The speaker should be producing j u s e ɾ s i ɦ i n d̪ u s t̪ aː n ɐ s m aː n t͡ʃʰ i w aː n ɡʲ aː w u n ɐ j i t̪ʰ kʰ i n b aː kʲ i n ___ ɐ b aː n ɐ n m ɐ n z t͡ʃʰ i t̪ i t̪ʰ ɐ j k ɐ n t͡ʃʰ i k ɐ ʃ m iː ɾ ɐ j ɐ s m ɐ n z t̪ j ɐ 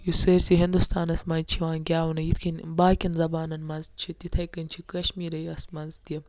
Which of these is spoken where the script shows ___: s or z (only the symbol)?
z